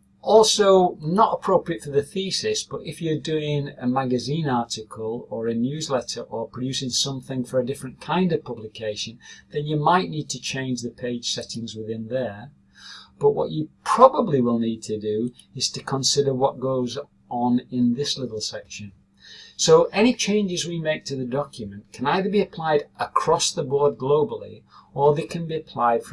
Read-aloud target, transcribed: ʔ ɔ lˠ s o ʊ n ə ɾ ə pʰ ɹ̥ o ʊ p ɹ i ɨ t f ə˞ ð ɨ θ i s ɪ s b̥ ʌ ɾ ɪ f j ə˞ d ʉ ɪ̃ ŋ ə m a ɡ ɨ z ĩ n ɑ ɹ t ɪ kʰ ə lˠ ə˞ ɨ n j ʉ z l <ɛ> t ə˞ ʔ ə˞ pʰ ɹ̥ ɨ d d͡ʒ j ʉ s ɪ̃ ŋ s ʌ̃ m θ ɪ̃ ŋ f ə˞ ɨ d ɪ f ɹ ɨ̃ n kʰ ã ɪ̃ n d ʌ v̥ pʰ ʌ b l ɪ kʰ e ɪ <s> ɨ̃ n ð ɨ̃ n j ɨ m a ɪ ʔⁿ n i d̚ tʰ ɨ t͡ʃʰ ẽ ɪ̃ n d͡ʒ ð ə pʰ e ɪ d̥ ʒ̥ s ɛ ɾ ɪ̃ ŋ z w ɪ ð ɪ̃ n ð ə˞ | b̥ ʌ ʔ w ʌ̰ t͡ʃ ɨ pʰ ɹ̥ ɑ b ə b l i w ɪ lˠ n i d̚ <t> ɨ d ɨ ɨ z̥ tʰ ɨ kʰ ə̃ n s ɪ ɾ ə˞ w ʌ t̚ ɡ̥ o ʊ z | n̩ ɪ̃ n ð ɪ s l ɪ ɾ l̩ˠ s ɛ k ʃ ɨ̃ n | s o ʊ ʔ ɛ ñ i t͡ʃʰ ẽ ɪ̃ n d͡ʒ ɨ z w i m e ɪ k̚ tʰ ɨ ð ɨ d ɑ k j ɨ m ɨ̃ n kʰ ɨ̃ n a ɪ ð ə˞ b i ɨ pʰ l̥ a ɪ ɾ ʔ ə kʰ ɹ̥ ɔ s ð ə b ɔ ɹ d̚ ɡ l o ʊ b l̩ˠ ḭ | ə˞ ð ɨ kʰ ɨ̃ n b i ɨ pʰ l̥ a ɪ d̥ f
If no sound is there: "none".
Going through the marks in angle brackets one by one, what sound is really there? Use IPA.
ɛ, ʃ, tʰ

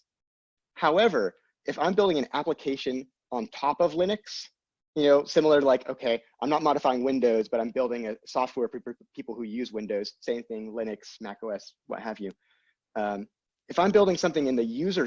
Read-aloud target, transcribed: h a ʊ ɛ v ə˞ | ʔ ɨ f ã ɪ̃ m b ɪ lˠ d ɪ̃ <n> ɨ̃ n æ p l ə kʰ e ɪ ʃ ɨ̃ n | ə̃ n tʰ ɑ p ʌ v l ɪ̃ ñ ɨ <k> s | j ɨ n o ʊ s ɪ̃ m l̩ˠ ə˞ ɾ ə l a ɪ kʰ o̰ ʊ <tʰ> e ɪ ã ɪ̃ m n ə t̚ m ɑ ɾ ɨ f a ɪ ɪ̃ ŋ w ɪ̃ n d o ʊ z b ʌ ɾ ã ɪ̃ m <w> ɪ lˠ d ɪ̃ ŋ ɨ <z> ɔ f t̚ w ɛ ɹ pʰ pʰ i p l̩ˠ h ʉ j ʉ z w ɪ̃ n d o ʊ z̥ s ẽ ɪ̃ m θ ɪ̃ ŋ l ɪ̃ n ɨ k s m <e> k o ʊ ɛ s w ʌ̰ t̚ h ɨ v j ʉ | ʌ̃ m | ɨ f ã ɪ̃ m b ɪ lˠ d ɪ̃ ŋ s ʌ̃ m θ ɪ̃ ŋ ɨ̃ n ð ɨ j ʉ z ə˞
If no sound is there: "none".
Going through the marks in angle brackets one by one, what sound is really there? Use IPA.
ŋ, k, kʰ, b, s, æ

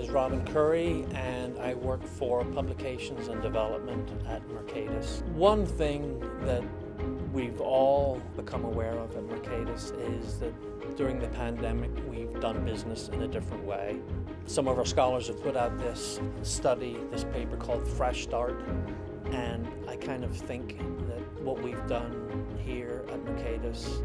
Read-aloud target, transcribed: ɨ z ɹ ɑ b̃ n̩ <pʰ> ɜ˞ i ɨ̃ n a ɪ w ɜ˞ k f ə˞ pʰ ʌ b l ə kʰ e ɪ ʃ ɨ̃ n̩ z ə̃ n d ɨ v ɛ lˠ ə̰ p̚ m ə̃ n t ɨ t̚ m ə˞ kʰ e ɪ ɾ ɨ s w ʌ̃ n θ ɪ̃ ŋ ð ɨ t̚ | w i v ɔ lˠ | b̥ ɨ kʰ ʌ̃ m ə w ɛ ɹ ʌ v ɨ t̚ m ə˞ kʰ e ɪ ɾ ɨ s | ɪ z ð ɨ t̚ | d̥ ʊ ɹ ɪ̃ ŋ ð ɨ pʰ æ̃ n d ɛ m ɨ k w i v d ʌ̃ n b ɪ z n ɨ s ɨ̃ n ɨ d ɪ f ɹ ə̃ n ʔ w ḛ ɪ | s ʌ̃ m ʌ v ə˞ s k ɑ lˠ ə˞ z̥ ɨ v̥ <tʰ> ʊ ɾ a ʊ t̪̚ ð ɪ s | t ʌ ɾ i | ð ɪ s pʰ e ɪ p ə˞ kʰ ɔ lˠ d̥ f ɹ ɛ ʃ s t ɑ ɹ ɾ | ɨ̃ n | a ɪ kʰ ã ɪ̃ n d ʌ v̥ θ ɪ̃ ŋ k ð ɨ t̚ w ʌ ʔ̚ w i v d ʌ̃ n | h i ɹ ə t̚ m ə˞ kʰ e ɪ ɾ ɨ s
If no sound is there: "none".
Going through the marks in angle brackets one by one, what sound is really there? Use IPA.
kʰ, pʰ

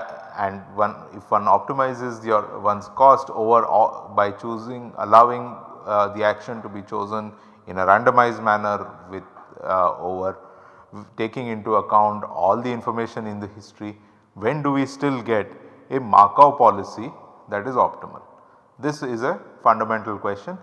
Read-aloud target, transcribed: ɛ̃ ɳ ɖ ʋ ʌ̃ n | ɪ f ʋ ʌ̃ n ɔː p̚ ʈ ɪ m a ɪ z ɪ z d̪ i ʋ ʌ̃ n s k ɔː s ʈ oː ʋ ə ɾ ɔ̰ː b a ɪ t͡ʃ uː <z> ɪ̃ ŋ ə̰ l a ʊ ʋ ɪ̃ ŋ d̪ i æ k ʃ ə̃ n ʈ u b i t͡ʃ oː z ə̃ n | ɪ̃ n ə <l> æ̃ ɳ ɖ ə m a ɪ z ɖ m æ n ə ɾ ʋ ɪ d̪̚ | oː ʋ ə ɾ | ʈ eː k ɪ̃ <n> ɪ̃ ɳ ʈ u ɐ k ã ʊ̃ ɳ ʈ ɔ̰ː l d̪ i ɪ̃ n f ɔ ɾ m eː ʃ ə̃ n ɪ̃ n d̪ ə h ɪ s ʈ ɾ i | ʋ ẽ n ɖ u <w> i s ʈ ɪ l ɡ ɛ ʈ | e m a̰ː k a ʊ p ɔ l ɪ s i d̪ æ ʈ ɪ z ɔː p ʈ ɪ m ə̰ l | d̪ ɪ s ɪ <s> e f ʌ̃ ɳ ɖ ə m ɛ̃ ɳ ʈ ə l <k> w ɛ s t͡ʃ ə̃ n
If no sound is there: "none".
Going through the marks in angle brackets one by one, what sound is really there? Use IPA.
z, ɾ, ŋ, ʋ, z, k

